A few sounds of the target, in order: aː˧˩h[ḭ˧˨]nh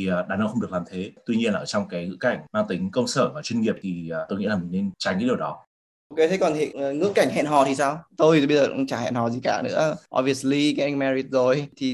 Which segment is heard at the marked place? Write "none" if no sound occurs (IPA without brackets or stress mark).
ɛ̰˧˨